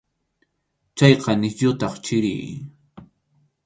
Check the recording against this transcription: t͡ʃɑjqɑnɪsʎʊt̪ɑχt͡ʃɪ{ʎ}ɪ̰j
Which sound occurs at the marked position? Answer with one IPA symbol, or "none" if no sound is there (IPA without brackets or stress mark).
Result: ɾ